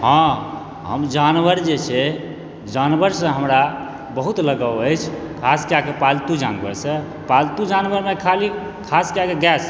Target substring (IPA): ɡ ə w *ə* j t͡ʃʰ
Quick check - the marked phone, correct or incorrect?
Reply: correct